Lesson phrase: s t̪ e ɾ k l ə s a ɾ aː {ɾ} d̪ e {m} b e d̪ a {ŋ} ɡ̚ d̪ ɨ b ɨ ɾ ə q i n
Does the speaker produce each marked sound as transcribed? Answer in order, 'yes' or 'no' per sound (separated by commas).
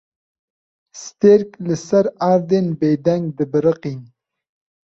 yes, no, yes